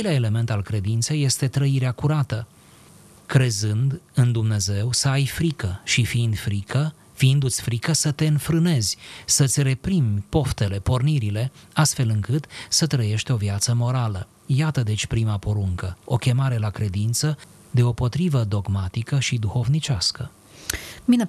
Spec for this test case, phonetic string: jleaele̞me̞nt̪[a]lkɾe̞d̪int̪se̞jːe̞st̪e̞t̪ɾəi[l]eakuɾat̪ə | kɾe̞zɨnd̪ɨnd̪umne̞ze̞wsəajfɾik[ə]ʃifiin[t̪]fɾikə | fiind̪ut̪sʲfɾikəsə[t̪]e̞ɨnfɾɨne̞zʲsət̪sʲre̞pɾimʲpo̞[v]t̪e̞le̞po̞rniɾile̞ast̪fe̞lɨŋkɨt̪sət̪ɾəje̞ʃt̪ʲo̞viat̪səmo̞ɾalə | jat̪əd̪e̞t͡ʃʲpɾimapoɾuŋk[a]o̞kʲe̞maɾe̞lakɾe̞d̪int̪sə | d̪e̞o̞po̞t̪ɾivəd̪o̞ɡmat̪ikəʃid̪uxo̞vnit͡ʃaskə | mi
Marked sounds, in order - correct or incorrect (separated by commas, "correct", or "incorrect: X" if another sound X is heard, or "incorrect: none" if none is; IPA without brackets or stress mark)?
correct, incorrect: ɾ, correct, incorrect: d̪, correct, incorrect: f, incorrect: ə